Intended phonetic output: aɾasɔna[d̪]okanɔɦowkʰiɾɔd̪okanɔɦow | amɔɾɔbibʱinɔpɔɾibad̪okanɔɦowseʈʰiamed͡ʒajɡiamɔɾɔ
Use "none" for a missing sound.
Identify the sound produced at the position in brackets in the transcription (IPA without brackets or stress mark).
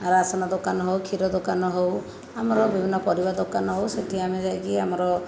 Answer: d̪